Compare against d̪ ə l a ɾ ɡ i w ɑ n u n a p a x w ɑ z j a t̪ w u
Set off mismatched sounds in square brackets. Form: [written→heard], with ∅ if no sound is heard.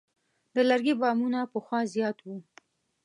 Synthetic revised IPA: d̪ ə l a ɾ ɡ i [w→b] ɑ [n→m] u n a p [a→ə] x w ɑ z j [a→ɑ] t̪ w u